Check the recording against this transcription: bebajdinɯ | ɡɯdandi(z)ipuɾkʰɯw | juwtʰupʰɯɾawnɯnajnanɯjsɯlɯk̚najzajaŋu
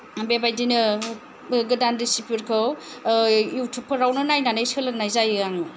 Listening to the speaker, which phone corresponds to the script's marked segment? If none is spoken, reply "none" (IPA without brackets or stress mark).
s